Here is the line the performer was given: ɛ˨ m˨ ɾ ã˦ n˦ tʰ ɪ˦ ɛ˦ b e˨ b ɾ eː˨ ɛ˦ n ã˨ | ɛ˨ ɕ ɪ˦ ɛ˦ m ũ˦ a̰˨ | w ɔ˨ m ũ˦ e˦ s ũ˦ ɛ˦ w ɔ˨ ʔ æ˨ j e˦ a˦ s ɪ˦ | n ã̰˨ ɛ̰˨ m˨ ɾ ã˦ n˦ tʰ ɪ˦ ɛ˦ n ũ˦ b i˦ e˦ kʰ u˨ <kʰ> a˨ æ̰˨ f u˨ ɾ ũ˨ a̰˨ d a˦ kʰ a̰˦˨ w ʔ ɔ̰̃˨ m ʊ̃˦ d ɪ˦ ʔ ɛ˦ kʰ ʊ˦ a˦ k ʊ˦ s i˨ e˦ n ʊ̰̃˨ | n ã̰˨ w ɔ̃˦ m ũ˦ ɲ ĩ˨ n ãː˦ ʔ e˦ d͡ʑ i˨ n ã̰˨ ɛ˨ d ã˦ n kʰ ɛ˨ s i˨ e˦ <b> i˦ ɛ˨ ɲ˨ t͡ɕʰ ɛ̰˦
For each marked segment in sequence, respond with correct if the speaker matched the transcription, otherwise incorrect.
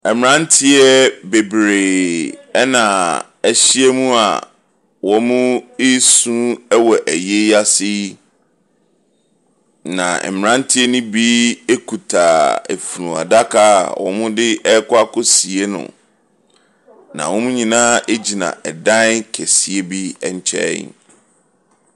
incorrect: tʰ, correct

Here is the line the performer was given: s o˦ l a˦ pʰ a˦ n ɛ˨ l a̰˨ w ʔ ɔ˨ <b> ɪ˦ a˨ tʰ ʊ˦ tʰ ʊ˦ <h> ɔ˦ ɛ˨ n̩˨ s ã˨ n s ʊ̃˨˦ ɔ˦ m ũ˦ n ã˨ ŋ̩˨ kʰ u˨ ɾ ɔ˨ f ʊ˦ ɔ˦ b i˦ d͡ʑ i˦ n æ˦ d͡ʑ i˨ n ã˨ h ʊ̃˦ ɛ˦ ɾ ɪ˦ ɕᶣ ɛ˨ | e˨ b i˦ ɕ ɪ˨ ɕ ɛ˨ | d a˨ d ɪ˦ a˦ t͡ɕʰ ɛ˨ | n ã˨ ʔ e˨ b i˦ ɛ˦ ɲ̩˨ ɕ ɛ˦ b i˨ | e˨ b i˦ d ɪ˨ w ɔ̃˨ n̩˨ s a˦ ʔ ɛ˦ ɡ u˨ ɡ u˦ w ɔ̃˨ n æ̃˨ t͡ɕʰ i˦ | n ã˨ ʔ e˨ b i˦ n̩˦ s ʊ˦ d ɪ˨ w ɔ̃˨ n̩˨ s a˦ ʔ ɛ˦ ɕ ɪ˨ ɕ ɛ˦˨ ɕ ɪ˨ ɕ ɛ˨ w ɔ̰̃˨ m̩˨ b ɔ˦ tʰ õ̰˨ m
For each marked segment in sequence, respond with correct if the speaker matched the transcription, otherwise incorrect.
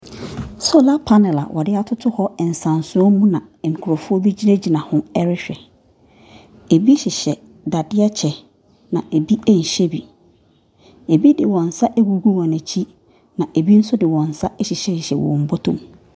incorrect: d, correct

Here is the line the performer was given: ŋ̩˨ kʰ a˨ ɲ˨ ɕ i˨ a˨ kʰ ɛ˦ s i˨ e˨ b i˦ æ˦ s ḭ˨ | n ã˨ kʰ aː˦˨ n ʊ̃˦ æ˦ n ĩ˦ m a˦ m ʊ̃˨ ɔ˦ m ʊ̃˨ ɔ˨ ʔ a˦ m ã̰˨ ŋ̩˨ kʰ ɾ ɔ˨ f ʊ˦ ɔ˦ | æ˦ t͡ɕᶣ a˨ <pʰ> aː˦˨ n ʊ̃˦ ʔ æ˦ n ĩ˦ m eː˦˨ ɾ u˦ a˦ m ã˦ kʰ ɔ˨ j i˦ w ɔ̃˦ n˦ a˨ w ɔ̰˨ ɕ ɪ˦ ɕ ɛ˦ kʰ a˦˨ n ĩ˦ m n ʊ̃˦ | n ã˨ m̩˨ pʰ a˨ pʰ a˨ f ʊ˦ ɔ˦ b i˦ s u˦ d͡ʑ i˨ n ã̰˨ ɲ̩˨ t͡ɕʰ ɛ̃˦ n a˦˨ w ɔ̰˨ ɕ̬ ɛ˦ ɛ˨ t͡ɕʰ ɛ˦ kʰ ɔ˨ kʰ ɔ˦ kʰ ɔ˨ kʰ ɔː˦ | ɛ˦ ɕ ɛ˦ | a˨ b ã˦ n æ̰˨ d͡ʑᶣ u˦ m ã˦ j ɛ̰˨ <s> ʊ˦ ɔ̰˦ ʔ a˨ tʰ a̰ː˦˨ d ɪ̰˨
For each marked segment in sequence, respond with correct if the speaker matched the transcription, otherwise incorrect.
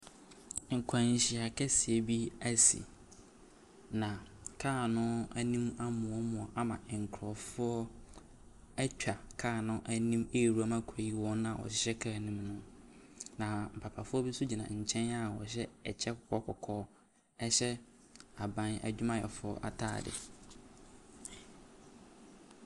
incorrect: kʰ, incorrect: f

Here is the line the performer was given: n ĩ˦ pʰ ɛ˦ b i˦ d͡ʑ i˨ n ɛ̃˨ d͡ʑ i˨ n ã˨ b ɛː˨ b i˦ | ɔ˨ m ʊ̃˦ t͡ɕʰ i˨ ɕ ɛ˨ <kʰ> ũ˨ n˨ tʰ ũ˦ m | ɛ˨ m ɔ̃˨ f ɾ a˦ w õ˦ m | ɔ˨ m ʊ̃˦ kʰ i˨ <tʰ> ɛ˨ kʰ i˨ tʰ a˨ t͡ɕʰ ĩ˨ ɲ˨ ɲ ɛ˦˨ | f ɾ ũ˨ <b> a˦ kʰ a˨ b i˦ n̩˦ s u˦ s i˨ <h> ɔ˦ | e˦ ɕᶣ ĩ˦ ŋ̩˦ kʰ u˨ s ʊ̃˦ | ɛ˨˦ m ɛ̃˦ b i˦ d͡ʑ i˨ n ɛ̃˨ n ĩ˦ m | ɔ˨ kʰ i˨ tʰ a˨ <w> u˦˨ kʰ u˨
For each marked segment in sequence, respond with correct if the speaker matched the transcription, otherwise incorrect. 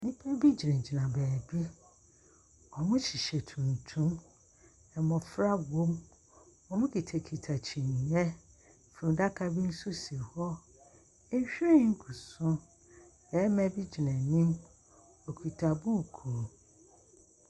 incorrect: tʰ, correct, incorrect: d, correct, incorrect: b

